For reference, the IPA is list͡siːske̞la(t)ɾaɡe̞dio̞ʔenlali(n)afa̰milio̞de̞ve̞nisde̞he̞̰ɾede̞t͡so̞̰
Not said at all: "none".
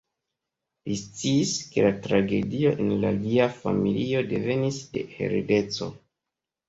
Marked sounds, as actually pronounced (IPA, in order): t, none

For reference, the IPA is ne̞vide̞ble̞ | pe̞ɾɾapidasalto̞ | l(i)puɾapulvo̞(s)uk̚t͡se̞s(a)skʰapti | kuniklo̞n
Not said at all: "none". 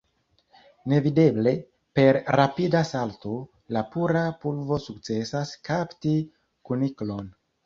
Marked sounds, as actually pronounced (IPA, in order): a, s, a

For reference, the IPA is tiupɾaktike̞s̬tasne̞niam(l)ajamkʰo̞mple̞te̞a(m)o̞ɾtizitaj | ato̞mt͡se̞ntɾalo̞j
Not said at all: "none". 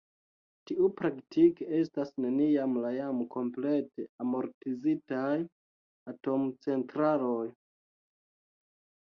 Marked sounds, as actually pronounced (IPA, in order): l, m

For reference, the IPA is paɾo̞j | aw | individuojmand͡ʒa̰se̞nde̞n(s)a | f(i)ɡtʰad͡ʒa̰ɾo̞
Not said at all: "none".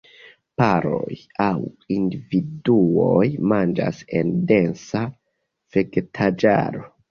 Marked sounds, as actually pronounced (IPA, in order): s, e

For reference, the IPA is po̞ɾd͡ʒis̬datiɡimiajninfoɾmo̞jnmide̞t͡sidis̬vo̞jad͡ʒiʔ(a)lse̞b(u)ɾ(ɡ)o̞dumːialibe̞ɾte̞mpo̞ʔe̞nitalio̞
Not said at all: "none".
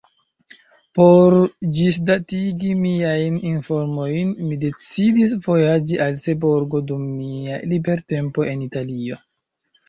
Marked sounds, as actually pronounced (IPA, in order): a, o, ɡ

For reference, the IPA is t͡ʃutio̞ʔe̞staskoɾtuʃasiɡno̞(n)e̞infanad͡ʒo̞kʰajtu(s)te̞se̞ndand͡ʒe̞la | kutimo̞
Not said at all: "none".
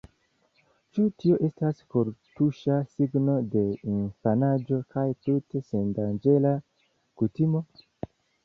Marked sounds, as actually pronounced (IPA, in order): d, none

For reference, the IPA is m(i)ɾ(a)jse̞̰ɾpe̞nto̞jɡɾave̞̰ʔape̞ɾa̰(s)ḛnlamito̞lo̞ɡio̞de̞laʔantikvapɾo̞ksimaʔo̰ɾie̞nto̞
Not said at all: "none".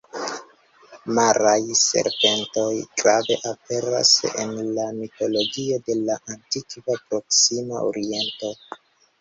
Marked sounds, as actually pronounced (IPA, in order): a, a, s

